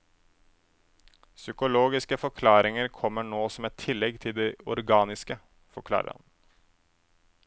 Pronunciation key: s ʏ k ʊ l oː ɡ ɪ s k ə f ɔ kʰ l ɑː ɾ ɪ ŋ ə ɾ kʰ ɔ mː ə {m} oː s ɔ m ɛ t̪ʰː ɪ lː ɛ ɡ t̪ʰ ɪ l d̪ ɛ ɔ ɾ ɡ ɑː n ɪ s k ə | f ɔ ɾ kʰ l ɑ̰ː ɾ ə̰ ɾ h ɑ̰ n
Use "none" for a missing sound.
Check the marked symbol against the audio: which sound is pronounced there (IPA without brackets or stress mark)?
ɳ